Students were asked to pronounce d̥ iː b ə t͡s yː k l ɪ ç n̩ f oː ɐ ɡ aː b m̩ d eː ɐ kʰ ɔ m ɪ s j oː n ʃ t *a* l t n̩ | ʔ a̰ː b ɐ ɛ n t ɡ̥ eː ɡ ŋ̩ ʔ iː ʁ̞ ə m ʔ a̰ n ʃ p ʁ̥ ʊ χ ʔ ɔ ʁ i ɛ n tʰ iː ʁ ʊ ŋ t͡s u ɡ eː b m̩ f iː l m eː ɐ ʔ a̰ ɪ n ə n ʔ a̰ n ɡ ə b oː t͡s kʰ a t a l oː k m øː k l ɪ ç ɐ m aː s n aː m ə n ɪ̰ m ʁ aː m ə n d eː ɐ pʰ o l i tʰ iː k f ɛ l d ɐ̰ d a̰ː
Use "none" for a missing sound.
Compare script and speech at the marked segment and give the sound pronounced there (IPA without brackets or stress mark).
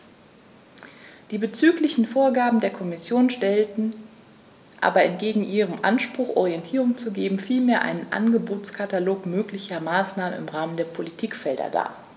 ɛ